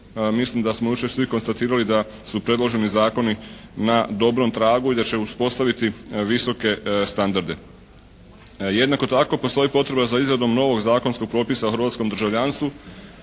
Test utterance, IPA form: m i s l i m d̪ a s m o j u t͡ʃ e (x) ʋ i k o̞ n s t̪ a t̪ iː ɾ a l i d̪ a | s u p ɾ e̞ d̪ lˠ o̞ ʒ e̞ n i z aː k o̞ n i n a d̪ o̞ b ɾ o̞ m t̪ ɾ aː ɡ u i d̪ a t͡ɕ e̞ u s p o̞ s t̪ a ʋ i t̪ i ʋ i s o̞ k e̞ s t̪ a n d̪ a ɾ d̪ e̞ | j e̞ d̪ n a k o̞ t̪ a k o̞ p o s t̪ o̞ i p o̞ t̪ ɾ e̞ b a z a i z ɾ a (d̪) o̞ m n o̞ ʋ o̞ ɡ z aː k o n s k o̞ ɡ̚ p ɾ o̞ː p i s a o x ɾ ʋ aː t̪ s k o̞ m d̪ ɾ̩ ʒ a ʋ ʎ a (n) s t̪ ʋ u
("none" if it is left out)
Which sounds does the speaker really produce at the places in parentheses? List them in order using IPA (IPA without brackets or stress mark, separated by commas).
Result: s, d̪, n